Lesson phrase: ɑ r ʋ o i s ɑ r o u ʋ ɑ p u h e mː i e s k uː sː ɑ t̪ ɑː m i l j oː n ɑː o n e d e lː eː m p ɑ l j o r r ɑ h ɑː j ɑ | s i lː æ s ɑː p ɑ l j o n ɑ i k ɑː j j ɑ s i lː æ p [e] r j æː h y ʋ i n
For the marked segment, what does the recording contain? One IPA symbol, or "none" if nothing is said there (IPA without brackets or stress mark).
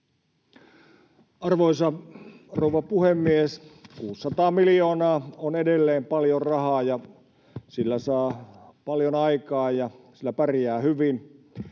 æ